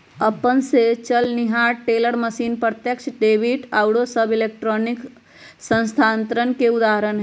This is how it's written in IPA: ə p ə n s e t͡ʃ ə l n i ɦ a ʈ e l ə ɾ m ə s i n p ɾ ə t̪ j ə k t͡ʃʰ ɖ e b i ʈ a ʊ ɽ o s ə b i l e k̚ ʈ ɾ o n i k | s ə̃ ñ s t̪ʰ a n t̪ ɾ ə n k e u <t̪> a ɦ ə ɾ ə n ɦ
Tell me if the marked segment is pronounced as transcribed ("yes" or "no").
no